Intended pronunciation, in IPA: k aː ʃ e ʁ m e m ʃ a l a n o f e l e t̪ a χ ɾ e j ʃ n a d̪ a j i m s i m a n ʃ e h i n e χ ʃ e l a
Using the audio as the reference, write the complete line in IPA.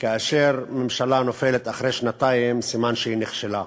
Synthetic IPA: k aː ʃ e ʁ m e m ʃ a l a n o f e l e t̪ a χ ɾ e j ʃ n a t̪ a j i m s i m a n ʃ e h i n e χ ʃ e l a